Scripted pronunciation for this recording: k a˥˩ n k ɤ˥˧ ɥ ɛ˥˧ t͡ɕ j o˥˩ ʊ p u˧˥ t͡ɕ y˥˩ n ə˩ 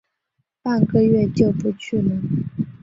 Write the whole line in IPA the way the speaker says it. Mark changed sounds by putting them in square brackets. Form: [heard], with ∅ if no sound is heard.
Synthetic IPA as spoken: [p] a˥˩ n k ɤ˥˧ ɥ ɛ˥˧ t͡ɕ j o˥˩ ʊ p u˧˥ [t͡ɕʰ] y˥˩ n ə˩